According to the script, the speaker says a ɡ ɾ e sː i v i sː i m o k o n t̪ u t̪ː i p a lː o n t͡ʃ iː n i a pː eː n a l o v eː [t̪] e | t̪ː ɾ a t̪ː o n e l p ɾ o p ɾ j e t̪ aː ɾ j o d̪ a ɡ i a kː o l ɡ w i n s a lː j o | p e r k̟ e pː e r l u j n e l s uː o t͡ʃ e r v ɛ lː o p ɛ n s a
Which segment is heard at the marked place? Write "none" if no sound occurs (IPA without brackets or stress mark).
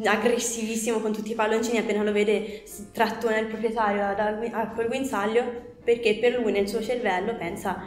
d̪